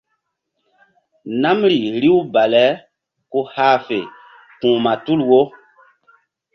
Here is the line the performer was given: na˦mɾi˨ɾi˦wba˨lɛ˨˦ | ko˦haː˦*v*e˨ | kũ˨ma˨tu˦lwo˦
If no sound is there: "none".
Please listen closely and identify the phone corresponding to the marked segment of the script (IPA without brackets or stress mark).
f